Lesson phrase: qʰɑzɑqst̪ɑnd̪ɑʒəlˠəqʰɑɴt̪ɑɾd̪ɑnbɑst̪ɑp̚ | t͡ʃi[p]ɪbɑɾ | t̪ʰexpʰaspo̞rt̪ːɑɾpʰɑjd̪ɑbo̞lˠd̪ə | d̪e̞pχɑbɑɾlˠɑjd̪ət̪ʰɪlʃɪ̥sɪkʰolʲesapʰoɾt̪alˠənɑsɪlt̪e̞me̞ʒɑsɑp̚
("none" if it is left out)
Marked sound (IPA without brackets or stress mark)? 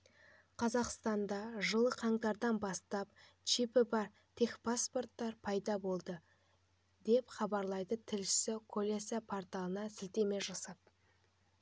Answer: p